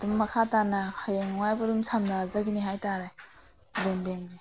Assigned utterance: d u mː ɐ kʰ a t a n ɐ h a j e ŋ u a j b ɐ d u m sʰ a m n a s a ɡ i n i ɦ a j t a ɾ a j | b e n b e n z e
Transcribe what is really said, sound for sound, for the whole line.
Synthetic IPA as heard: d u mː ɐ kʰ a t a n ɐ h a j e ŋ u a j b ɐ d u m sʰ a m n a z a ɡ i n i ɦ a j t a ɾ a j | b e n b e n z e